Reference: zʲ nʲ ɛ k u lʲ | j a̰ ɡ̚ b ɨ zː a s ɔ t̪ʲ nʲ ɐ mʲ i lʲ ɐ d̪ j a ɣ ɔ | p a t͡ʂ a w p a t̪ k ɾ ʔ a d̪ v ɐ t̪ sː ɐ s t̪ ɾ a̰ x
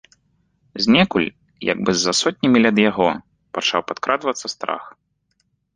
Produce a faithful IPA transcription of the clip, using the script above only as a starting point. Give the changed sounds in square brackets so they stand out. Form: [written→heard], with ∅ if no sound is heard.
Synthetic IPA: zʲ nʲ ɛ k u lʲ | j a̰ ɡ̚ b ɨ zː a s ɔ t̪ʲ nʲ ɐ mʲ i lʲ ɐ d̪ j a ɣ ɔ | p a t͡ʂ a w p a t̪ k ɾ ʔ a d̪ v ɐ t̪ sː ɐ s t̪ ɾ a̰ x